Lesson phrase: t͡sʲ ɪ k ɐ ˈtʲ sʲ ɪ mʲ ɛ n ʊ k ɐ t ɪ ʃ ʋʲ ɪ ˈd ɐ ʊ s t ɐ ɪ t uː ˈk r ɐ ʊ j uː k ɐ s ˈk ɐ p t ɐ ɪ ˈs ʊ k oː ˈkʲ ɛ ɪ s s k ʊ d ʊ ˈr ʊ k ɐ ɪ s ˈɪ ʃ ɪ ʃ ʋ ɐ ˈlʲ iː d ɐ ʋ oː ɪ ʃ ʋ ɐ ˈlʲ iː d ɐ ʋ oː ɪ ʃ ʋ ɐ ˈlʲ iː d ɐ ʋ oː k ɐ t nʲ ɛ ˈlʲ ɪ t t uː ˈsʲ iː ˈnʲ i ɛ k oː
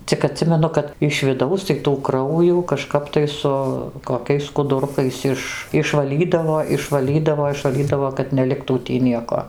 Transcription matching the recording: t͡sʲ ɪ k ɐ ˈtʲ sʲ ɪ mʲ ɛ n ʊ k ɐ t ɪ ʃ ʋʲ ɪ ˈd ɐ ʊ s t ɐ ɪ t uː ˈk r ɐ ʊ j uː k ɐ ʃ ˈk ɐ p t ɐ ɪ ˈs ʊ k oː ˈkʲ ɛ ɪ s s k ʊ d ʊ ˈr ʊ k ɐ ɪ s ˈɪ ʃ ɪ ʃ ʋ ɐ ˈlʲ iː d ɐ ʋ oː ɪ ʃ ʋ ɐ ˈlʲ iː d ɐ ʋ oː ɪ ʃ ʋ ɐ ˈlʲ iː d ɐ ʋ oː k ɐ t nʲ ɛ ˈlʲ ɪ k t uː ˈtʲ iː ˈnʲ i ɛ k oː